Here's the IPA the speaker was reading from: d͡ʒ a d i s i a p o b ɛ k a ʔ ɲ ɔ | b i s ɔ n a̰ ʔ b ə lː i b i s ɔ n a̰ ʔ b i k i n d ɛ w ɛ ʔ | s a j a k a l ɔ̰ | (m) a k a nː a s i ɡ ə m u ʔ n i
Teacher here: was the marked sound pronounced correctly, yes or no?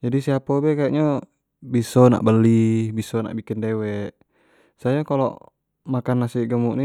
yes